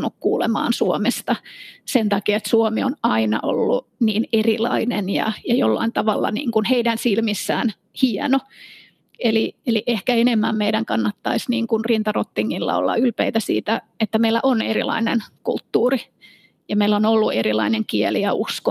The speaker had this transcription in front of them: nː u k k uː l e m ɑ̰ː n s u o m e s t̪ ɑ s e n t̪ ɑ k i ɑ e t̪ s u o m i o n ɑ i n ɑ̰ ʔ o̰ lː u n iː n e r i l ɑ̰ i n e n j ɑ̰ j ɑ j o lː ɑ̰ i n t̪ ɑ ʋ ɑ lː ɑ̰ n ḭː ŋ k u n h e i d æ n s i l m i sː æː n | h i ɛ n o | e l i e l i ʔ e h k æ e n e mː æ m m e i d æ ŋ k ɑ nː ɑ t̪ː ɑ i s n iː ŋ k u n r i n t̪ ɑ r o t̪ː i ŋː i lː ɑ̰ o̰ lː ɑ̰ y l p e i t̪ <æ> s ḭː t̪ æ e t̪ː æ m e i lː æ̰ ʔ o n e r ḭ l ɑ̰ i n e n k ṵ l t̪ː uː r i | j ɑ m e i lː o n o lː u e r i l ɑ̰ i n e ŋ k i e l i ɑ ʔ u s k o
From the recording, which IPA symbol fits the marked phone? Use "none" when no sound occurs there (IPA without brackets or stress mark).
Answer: æ